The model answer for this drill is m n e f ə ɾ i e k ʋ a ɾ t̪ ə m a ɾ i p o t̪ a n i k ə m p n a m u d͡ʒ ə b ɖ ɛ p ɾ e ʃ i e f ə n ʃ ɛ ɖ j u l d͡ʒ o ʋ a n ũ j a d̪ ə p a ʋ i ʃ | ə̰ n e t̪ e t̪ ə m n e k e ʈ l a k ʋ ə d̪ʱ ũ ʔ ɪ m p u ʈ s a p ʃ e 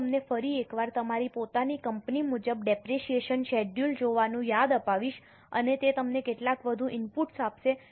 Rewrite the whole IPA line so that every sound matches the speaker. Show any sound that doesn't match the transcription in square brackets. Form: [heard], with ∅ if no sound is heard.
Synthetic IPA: m n e f ə ɾ i e k ʋ a ɾ t̪ ə m a ɾ i p o t̪ a n i k ə m p n [i] m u d͡ʒ ə b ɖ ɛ p ɾ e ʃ i e [ʃ] ə n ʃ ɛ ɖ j u l d͡ʒ o ʋ a n ũ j a d̪ ə p a ʋ i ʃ | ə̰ n e t̪ e t̪ ə m n e k e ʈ l a k ʋ ə d̪ʱ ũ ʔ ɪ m p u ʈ s a p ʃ e